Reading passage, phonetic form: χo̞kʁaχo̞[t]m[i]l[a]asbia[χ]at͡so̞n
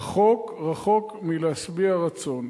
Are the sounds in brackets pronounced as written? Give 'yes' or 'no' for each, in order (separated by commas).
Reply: no, yes, no, no